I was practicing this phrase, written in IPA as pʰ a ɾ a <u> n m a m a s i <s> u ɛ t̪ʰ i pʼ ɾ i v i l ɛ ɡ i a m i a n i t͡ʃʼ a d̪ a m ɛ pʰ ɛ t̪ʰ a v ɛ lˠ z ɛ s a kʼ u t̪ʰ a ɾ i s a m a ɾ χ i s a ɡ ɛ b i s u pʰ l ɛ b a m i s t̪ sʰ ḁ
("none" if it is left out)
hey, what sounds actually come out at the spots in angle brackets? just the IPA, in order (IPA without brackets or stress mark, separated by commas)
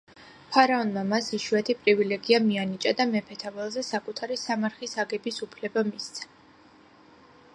ɔ, ʃ